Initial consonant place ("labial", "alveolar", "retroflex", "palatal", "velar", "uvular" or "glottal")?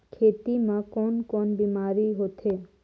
velar